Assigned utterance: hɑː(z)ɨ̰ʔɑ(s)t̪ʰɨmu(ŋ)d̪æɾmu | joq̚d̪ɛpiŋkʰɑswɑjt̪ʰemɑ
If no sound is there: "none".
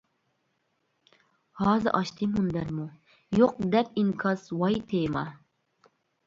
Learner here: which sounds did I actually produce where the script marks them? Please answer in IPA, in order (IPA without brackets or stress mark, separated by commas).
z, ʃ, n